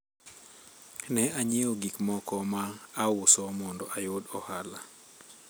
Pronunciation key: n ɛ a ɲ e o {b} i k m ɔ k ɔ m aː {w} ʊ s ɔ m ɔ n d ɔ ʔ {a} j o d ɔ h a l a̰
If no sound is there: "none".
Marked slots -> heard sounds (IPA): ɡ, w, a

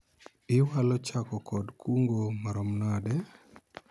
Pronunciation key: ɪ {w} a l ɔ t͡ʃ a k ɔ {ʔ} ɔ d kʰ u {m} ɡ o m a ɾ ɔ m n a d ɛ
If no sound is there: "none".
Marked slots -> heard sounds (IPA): w, k, ŋ

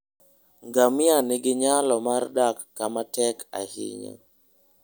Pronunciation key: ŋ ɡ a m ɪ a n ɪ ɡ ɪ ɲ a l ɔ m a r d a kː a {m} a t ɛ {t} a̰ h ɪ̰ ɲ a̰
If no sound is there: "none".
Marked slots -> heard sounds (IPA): m, k

